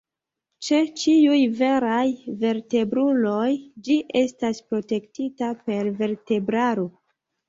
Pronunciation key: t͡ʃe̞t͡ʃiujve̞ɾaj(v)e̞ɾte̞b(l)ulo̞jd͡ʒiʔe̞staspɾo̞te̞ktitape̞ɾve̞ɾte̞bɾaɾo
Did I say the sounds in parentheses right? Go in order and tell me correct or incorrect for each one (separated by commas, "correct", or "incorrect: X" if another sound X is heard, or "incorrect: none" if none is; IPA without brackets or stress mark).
correct, incorrect: ɾ